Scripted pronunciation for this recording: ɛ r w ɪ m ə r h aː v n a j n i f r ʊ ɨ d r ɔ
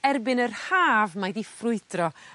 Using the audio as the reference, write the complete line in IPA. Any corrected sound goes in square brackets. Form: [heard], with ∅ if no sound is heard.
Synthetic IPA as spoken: ɛ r [b] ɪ [n] ə r h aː v [m] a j [d] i f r ʊ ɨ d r ɔ